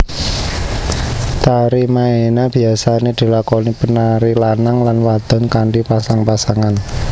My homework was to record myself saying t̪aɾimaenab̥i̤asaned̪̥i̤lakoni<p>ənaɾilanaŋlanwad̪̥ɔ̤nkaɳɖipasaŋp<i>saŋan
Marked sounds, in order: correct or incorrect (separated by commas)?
correct, incorrect